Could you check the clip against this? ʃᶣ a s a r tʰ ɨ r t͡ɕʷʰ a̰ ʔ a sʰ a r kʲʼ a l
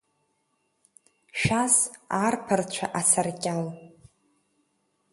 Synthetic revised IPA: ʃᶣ a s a r pʰ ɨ r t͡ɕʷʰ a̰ ʔ a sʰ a r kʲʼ a l